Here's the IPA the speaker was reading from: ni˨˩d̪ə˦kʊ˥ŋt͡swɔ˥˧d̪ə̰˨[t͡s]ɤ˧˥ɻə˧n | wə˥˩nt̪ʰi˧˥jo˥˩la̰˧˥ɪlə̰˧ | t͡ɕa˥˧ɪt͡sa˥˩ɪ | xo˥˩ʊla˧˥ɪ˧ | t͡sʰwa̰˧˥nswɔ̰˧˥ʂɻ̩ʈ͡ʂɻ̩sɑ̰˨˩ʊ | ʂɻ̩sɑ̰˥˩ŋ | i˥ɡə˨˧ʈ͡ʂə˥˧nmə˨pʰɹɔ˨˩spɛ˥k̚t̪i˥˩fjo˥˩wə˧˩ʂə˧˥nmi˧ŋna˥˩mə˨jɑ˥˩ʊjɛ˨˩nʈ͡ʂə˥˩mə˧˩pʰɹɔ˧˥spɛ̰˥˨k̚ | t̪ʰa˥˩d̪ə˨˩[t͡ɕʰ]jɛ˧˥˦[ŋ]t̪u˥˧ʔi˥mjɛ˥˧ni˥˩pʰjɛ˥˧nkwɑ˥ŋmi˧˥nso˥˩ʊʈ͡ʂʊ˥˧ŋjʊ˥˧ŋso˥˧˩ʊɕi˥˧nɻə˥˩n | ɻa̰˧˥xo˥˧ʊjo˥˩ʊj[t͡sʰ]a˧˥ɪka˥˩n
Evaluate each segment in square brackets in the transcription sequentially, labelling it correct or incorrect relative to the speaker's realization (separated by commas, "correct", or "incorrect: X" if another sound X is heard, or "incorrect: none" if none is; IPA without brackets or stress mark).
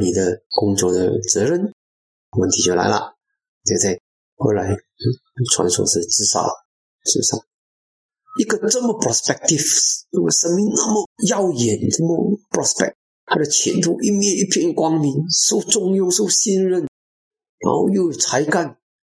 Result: correct, correct, incorrect: n, correct